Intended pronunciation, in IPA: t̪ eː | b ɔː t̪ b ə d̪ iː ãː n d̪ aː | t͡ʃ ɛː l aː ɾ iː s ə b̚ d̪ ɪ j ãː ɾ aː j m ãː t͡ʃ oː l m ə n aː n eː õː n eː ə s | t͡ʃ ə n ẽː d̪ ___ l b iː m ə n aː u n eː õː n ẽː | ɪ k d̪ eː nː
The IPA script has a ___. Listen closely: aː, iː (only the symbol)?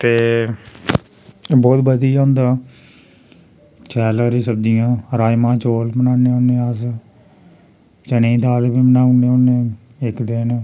aː